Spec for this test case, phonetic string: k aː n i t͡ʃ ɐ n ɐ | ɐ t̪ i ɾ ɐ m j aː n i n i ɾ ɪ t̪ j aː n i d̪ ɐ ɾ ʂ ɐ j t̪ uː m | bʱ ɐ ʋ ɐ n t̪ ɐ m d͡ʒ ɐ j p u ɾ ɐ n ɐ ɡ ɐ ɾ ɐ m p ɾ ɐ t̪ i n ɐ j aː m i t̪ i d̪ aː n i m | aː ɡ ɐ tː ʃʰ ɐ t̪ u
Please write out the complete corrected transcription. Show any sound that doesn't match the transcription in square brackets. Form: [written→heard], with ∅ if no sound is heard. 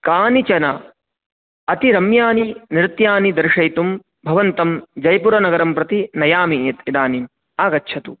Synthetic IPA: k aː n i t͡ʃ ɐ n ɐ | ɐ t̪ i ɾ ɐ m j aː n i n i ɾ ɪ t̪ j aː n i d̪ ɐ ɾ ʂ ɐ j t̪ [uː→u] m | bʱ ɐ ʋ ɐ n t̪ ɐ m d͡ʒ ɐ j p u ɾ ɐ n ɐ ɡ ɐ ɾ ɐ m p ɾ ɐ t̪ i n ɐ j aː m i t̪ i d̪ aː n i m | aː ɡ ɐ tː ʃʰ ɐ t̪ u